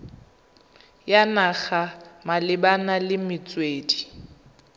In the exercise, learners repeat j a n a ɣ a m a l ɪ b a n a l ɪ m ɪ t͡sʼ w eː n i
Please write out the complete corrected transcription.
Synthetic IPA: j a n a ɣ a m a l ɪ b a n a l ɪ m ɪ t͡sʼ w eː d i